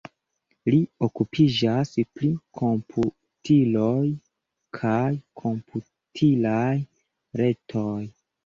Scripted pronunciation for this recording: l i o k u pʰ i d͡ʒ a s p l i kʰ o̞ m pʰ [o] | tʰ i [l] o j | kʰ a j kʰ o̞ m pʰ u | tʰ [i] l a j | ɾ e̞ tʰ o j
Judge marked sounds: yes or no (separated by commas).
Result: no, yes, yes